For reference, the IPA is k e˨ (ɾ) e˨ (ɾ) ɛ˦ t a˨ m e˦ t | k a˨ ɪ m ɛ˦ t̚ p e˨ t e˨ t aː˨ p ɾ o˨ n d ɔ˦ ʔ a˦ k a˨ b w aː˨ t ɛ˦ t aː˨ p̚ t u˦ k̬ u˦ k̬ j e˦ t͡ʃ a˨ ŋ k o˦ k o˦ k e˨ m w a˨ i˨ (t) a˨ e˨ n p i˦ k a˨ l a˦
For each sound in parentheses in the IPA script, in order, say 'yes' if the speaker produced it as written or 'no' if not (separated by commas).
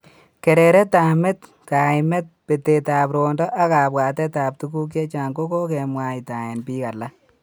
yes, yes, yes